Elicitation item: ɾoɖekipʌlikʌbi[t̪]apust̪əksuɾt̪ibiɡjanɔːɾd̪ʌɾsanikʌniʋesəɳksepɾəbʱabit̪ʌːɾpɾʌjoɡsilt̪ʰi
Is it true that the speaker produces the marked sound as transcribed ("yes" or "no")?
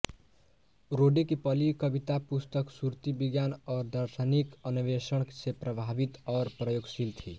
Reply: yes